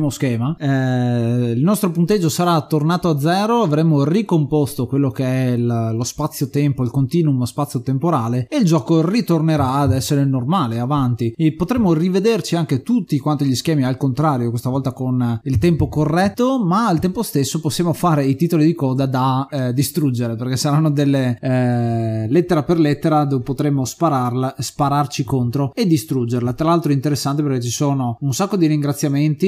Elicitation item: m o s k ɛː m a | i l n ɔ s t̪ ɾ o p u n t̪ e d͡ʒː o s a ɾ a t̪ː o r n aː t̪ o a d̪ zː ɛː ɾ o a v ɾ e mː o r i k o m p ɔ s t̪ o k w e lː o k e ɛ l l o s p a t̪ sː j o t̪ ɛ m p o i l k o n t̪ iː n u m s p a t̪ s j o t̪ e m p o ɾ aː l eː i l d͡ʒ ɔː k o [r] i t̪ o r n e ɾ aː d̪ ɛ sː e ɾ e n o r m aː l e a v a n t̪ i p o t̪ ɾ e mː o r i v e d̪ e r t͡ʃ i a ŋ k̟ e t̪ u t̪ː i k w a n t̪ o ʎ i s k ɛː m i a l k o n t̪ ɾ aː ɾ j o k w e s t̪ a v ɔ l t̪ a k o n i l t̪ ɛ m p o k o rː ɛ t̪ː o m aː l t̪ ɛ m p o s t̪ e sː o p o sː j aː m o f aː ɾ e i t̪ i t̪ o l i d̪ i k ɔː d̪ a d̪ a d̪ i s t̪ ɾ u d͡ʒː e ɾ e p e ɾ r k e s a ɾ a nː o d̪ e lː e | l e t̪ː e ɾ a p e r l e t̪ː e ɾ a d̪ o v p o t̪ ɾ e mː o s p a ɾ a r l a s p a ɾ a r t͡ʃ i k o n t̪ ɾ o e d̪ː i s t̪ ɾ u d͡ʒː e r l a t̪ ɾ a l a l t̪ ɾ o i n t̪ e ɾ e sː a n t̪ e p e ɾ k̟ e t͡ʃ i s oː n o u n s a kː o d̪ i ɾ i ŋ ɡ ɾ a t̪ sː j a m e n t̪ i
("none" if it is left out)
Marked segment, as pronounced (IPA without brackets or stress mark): r